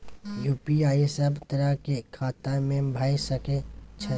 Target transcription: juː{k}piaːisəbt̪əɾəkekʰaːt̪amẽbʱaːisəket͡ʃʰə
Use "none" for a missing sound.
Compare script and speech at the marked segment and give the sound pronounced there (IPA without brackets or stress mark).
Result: none